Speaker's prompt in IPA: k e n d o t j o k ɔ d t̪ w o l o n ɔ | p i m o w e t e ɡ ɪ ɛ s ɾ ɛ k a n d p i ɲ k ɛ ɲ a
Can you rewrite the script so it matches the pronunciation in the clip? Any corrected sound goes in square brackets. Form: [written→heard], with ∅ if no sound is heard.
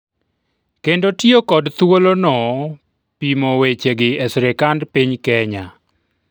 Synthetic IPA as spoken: k e n d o t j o k ɔ d t̪ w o l o n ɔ | p i m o w e [t→t͡ʃ] e ɡ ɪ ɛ s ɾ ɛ k a n d p i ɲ k ɛ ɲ a